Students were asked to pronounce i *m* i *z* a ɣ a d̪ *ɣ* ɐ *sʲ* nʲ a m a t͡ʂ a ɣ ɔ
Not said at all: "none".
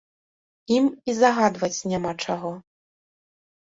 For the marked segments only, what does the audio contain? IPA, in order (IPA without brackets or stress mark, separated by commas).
m, z, v, t͡sʲ